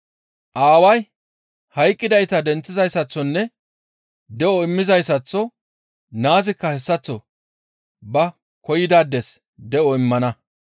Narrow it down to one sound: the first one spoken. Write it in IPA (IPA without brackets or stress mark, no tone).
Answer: ʔ